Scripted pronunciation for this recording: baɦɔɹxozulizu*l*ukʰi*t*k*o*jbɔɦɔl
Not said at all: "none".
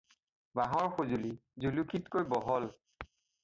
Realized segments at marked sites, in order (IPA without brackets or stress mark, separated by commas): l, t, o